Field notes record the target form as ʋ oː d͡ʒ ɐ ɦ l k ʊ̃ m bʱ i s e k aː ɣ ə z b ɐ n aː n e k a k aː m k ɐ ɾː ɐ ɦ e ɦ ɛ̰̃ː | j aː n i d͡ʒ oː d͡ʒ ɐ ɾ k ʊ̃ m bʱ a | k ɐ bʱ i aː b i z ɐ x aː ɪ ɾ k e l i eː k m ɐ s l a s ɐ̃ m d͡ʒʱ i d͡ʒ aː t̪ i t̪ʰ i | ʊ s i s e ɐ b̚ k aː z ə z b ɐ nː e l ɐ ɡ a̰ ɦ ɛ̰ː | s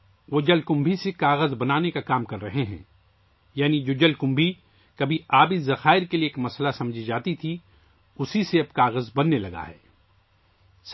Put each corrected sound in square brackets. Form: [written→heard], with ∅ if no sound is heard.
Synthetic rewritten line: ʋ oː d͡ʒ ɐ [ɦ→∅] l k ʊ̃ m bʱ i s e k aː ɣ ə z b ɐ n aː n e k a k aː m k ɐ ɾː ɐ ɦ e ɦ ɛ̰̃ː | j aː n i d͡ʒ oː d͡ʒ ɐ [ɾ→l] k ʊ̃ m bʱ [a→i] | k ɐ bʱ i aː b i z ɐ x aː ɪ ɾ k e l i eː k m ɐ s l a s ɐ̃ m d͡ʒʱ i d͡ʒ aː t̪ i t̪ʰ i | ʊ s i s e ɐ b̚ k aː [z→ɣ] ə z b ɐ nː e l ɐ ɡ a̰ ɦ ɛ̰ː | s